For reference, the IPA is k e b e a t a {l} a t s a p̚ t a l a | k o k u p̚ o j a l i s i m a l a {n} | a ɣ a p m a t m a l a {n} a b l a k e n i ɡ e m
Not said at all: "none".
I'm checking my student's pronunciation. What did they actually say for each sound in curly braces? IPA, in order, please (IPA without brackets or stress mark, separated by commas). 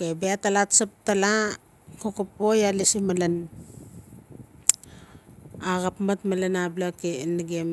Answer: l, n, n